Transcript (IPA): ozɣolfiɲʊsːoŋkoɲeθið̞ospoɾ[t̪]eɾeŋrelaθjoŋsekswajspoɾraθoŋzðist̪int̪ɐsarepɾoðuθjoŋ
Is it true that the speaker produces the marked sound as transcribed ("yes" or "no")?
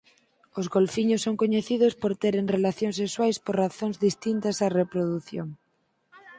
yes